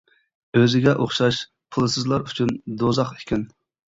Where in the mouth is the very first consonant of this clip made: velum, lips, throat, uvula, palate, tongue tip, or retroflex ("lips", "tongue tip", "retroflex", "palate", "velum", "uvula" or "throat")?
tongue tip